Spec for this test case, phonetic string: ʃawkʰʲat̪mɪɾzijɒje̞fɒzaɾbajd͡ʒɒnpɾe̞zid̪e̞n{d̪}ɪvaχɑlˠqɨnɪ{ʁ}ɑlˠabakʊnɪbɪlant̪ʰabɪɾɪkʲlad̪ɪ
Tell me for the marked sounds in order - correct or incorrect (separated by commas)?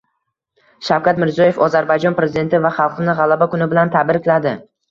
incorrect, correct